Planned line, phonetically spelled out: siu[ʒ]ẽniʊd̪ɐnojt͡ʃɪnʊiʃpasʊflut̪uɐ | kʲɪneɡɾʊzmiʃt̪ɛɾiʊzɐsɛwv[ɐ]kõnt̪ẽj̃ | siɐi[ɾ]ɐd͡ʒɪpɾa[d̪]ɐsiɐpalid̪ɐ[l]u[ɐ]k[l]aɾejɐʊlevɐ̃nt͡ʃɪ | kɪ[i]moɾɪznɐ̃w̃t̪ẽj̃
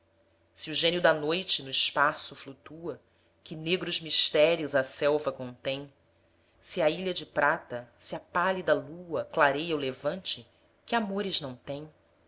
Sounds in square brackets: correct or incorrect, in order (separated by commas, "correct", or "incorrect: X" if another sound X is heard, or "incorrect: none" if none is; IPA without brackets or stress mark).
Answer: correct, correct, incorrect: ʎ, incorrect: t̪, correct, correct, correct, incorrect: a